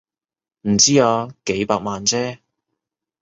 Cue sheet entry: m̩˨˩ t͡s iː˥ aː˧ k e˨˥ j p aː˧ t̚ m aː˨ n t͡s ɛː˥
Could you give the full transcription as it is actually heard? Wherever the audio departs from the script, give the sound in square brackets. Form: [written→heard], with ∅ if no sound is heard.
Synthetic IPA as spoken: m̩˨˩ t͡s iː˥ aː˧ k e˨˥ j p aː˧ [t̚→k̚] m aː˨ n t͡s ɛː˥